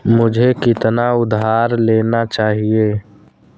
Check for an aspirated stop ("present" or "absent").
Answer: absent